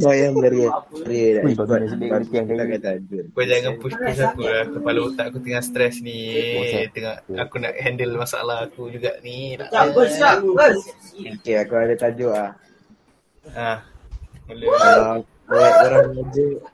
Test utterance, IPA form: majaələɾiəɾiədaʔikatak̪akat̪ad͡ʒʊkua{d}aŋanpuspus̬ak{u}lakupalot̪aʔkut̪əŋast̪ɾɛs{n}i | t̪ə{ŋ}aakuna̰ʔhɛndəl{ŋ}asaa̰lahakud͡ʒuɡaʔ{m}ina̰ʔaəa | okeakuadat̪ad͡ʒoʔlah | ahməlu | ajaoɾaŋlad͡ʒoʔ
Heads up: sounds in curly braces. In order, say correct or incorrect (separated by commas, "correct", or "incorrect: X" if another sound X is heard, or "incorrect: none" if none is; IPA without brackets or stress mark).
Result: incorrect: d͡ʒ, correct, correct, correct, incorrect: m, incorrect: n